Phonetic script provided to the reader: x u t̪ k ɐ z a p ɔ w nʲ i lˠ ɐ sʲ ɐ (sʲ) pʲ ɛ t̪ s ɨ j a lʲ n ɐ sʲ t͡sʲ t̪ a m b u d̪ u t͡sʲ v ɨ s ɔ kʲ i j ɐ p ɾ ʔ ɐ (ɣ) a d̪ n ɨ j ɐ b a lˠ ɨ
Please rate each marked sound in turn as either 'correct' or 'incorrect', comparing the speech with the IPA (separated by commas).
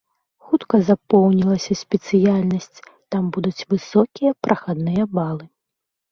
correct, incorrect